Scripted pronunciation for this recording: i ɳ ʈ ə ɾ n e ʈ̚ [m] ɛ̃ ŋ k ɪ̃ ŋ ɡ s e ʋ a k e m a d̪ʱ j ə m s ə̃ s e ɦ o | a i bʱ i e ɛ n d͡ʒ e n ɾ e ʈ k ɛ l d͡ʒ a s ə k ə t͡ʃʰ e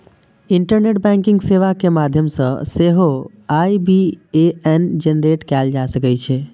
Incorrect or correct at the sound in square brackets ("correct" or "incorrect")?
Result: incorrect